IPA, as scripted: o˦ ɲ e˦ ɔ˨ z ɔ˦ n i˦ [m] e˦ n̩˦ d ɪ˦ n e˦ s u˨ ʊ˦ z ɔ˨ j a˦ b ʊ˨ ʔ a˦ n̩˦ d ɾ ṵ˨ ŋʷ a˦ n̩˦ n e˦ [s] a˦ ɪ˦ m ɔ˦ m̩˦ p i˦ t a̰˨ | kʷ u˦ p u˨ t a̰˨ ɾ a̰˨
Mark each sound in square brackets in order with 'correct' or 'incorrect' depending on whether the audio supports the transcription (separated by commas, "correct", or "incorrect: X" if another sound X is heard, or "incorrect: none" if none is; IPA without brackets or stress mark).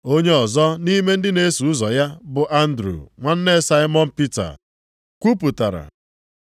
correct, correct